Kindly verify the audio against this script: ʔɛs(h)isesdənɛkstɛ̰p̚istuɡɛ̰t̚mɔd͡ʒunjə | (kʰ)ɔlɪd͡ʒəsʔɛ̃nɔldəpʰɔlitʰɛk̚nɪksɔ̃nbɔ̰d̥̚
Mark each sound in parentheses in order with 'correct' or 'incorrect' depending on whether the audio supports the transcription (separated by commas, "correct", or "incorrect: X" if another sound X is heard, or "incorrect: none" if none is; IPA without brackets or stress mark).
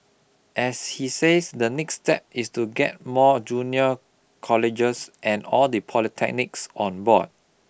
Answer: correct, correct